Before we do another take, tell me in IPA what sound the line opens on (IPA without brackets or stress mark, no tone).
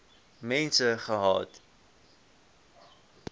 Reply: m